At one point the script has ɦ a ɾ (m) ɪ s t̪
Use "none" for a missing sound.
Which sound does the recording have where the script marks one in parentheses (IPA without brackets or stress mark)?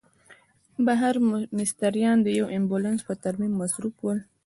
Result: m